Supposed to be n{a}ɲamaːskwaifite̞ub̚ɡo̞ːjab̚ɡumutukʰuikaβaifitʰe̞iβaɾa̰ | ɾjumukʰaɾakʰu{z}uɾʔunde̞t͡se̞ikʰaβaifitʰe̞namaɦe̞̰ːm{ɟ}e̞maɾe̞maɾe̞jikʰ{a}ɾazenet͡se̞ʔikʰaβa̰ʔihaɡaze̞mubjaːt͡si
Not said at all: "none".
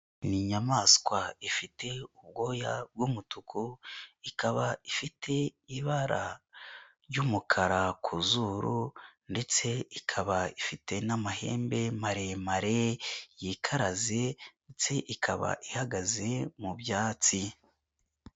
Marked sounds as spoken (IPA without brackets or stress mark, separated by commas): i, z, b, a